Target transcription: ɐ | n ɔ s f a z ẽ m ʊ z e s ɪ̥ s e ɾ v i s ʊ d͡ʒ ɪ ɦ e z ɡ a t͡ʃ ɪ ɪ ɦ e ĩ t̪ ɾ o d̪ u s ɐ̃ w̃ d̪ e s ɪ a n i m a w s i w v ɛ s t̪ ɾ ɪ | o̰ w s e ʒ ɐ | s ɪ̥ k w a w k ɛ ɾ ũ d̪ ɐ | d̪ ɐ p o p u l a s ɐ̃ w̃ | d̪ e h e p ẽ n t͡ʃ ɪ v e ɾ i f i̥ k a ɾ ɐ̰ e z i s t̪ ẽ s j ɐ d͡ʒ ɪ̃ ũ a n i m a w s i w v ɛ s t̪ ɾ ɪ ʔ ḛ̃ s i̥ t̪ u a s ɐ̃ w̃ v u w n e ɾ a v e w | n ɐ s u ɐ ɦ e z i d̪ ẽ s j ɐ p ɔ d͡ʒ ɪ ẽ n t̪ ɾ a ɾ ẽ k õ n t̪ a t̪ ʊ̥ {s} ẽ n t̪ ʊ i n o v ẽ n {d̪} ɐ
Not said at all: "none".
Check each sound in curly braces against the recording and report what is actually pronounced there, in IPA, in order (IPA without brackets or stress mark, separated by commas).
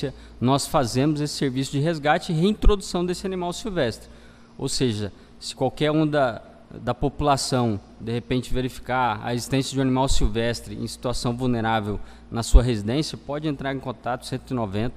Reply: s, t̪